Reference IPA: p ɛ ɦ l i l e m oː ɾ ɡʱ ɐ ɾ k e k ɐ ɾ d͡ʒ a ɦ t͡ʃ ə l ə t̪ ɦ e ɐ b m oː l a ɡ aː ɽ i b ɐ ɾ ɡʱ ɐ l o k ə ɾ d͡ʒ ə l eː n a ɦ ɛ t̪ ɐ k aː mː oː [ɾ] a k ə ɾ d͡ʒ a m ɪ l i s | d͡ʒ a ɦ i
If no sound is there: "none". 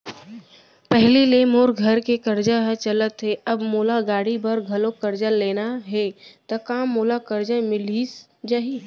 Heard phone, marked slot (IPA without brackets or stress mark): l